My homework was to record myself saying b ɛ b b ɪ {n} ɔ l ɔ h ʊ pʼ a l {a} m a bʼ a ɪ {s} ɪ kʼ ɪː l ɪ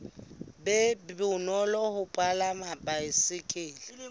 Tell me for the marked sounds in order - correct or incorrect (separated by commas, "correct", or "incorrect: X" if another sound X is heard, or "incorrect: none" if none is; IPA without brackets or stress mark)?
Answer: correct, correct, correct